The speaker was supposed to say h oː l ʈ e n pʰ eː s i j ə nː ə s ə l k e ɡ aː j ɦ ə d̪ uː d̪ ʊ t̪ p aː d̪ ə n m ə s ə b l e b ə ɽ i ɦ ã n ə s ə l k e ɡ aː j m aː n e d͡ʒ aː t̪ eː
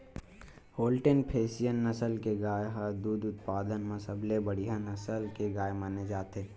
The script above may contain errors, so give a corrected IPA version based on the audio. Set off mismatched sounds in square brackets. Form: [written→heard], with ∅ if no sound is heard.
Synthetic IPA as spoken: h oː l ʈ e n pʰ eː s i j ə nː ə s ə l k e ɡ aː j ɦ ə d̪ uː d̪ ʊ t̪ p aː d̪ ə n m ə s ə b l e b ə ɽ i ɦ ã n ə s ə l k e ɡ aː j m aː n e d͡ʒ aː t̪ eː